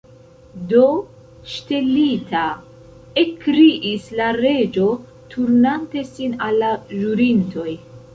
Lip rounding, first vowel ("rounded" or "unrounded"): rounded